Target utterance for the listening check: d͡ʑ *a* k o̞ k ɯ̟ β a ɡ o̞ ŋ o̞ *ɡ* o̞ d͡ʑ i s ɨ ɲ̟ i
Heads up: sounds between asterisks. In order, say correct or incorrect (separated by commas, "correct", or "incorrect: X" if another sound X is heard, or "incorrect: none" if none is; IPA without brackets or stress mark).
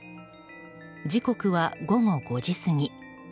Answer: incorrect: i, correct